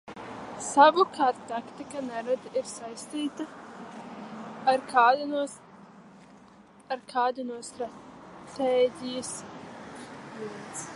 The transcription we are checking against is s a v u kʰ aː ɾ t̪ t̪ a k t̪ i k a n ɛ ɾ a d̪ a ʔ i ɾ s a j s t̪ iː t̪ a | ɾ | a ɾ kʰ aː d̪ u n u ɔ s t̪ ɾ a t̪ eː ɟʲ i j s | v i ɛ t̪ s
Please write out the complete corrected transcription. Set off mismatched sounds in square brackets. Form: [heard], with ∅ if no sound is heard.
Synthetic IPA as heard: s a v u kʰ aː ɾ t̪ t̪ a k t̪ i k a n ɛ ɾ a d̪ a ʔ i ɾ s a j s t̪ iː t̪ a | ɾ | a ɾ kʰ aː d̪ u n u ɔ s t̪ ɾ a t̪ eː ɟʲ i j s | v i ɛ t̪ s

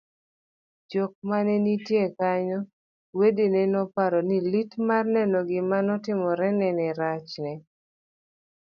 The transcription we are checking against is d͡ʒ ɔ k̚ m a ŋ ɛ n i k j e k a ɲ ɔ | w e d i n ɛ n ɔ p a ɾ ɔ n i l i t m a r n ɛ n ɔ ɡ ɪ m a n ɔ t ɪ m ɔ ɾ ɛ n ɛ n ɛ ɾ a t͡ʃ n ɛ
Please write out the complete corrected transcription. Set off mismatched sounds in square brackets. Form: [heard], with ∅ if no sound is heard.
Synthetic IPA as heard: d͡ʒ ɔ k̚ m a [n] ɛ n i [t] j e k a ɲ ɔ | w e d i n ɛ n ɔ p a ɾ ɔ n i l i t m a r n ɛ n ɔ ɡ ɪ m a n ɔ t ɪ m ɔ ɾ ɛ n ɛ n ɛ ɾ a t͡ʃ n ɛ

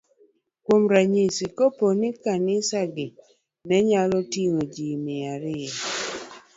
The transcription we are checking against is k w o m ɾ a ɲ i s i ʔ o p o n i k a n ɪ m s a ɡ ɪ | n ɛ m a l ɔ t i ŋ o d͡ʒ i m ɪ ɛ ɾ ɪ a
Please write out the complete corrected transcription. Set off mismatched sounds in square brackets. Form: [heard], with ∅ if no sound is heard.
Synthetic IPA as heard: k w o m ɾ a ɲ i s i [k] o p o n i k a n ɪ [∅] s a ɡ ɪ | n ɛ [ɲ] a l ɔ t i ŋ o d͡ʒ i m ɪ [a] ɾ ɪ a

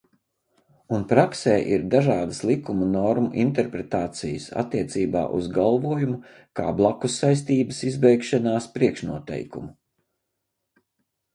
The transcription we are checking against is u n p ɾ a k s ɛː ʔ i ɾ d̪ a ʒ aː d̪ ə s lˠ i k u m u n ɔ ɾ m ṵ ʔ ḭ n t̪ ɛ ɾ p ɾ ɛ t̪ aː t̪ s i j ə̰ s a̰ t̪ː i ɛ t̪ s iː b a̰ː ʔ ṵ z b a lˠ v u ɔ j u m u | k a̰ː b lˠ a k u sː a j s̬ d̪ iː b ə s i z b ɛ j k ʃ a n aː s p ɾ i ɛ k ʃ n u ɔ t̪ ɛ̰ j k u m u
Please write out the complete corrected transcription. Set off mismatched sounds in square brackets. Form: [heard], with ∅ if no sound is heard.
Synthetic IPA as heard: u n p ɾ a k s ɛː ʔ i ɾ d̪ a ʒ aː d̪ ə s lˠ i k u m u n ɔ ɾ m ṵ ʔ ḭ n t̪ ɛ ɾ p ɾ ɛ t̪ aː t̪ s i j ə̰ s a̰ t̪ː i ɛ t̪ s iː b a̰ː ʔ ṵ z [ɡ] a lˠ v u ɔ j u m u | k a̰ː b lˠ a k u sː a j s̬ [t̪] iː b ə s i z b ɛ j k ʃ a n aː s p ɾ i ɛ k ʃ n u ɔ t̪ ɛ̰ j k u m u

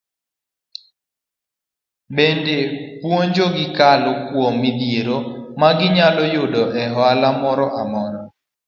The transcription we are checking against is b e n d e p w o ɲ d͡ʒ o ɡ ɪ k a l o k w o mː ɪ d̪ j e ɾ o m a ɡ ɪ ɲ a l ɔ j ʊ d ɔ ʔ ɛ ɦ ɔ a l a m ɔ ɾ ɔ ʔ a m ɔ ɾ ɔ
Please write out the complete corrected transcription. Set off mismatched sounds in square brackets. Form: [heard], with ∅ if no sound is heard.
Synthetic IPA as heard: b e n d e p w o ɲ d͡ʒ o ɡ ɪ k a l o k w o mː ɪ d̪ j e ɾ o m a ɡ ɪ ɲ a l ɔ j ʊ d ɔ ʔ ɛ ɦ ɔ a l a m ɔ ɾ ɔ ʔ a m ɔ ɾ ɔ

